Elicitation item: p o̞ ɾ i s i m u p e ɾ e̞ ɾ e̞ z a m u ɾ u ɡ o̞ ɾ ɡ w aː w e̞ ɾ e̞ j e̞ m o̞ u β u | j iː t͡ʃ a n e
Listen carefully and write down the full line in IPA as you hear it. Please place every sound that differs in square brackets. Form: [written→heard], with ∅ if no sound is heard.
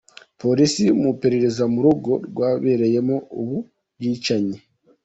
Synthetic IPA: p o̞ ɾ i s i m u p e ɾ e̞ ɾ e̞ z a m u ɾ u ɡ o̞ ɾ ɡ w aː [w→β] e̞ ɾ e̞ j e̞ m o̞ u β u | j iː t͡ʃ a [n→ɲ] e